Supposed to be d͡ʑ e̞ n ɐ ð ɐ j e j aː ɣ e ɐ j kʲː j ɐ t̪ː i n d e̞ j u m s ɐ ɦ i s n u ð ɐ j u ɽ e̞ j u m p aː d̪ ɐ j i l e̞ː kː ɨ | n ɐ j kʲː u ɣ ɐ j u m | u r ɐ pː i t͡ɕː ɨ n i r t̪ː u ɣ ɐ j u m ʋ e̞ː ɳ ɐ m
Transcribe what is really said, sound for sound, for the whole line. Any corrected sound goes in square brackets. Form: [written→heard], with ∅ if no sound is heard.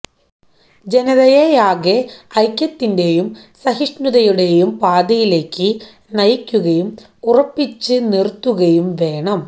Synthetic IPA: d͡ʑ e̞ n ɐ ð ɐ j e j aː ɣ e ɐ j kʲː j ɐ t̪ː i n d e̞ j u m s ɐ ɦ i [s→ʂ] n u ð ɐ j u ɽ e̞ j u m p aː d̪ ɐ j i l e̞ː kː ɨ | n ɐ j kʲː u ɣ ɐ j u m | u r ɐ pː i t͡ɕː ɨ n i r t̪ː u ɣ ɐ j u m ʋ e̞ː ɳ ɐ m